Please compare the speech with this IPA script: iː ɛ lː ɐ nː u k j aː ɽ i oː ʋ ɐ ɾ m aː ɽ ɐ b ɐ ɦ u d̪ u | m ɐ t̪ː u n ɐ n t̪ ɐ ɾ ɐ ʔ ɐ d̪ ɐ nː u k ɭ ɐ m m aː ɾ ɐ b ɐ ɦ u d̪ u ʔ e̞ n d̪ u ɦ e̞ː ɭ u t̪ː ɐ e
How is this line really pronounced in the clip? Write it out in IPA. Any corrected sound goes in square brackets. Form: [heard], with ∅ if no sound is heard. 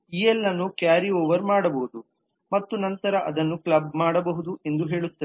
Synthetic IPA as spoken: iː ɛ lː ɐ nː u k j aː [ɾ] i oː ʋ ɐ ɾ m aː ɽ ɐ b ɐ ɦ u d̪ u | m ɐ t̪ː u n ɐ n t̪ ɐ ɾ ɐ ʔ ɐ d̪ ɐ nː u k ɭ ɐ [b] m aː [ɽ] ɐ b ɐ ɦ u d̪ u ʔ e̞ n d̪ u ɦ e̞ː ɭ u t̪ː ɐ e